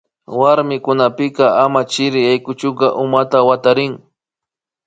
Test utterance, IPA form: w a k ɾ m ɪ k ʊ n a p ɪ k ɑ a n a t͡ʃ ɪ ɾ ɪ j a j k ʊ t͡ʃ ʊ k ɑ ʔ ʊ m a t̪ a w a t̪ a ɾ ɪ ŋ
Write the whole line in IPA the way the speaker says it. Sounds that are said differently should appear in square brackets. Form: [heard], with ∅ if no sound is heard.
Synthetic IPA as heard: w a [∅] ɾ m ɪ k ʊ n a p ɪ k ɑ a [m] a t͡ʃ ɪ ɾ ɪ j a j k ʊ t͡ʃ ʊ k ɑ ʔ ʊ m a t̪ a w a t̪ a ɾ ɪ ŋ